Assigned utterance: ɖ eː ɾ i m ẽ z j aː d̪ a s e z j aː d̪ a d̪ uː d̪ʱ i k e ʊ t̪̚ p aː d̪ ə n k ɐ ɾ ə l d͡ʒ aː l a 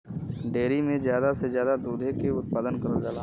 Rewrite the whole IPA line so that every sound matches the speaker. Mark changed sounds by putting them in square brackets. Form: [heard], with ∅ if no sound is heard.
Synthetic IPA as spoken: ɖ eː ɾ i m ẽ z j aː d̪ a s e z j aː d̪ a d̪ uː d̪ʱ [e] k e ʊ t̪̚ p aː d̪ ə n k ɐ ɾ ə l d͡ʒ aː l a